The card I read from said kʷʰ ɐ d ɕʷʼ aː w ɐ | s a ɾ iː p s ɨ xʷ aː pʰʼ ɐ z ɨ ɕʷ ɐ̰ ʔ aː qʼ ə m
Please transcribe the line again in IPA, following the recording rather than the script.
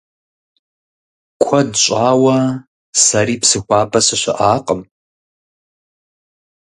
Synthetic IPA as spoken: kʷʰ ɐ d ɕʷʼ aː w ɐ | s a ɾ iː p s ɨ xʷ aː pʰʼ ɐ s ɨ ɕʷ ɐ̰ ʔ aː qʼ ə m